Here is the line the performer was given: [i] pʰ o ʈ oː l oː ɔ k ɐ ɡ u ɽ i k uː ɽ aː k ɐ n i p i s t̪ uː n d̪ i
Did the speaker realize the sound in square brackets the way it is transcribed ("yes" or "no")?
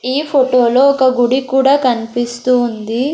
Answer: no